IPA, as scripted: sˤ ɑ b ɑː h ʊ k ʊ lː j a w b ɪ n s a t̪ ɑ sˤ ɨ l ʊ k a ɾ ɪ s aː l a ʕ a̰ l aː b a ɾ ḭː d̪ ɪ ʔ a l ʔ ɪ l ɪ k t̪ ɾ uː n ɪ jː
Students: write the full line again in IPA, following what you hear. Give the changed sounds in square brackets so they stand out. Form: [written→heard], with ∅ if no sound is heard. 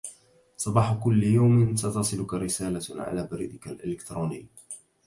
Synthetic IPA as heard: sˤ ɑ b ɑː [h→ħ] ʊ k ʊ lː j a w [b→m] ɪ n s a t̪ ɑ sˤ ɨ l ʊ k a ɾ ɪ s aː l a ʕ a̰ l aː b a ɾ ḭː d̪ ɪ [ʔ→k] a l ʔ ɪ l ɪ k t̪ ɾ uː n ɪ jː